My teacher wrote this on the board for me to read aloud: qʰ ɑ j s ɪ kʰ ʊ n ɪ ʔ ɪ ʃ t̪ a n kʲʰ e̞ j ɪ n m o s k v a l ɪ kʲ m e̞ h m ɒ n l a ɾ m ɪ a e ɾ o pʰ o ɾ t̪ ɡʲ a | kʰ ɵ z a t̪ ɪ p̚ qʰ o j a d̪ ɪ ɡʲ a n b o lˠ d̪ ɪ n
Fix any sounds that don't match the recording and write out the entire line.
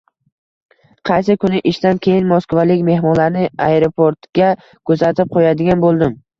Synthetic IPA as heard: qʰ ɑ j s ɪ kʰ ʊ n ɪ ʔ ɪ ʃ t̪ a n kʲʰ e̞ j ɪ n m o s k v a l ɪ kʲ m e̞ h m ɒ n l a ɾ n ɪ a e ɾ o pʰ o ɾ t̪ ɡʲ a | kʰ ɵ z a t̪ ɪ p̚ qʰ o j a d̪ ɪ ɡʲ a n b o lˠ d̪ ɪ m